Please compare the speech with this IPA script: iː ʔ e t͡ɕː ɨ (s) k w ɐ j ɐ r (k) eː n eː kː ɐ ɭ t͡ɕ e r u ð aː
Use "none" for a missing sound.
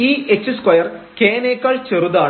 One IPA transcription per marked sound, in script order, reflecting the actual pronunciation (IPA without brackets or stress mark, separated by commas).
s, k